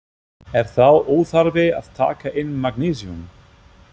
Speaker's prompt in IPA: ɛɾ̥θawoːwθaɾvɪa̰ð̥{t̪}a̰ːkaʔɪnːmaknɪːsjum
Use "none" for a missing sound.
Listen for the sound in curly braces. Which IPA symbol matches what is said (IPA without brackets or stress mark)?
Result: t̪ʰ